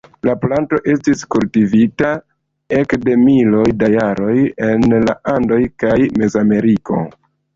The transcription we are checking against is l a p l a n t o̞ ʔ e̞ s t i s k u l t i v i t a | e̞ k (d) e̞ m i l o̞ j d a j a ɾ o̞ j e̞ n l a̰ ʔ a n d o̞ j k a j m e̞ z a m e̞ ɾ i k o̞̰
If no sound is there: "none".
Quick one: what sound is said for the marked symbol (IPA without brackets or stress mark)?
d